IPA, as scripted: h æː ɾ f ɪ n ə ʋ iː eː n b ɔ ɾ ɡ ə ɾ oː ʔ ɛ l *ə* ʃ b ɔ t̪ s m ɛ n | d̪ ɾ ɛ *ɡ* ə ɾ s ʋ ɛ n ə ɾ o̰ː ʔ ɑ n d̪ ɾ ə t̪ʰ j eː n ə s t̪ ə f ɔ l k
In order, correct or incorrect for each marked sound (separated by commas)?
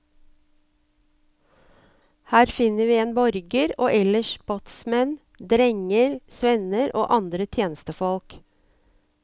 correct, incorrect